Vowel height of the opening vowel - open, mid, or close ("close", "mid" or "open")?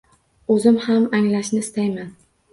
mid